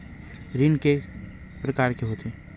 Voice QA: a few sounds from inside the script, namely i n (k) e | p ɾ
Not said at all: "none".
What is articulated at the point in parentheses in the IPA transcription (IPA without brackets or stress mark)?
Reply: k